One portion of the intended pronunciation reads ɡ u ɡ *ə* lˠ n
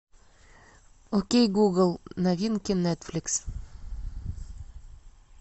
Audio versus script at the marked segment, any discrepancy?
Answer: no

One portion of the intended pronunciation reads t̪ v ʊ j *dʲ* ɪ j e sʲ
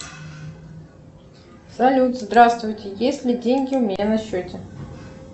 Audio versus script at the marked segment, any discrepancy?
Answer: yes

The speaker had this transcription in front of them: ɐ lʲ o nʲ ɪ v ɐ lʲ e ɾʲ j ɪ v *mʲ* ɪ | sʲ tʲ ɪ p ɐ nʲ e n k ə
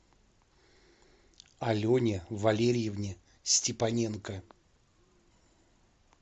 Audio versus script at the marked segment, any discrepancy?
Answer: yes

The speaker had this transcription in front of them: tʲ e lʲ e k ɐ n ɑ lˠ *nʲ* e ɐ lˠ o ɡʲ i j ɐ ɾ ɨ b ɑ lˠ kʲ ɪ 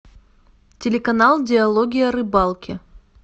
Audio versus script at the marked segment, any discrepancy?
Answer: yes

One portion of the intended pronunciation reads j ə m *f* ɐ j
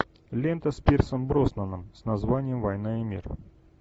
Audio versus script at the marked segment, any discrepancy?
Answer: yes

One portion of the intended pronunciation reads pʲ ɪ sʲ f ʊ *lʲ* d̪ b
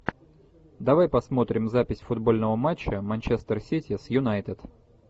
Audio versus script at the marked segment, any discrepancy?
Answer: yes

